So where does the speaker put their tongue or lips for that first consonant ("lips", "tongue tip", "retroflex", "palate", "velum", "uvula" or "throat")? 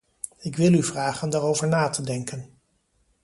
velum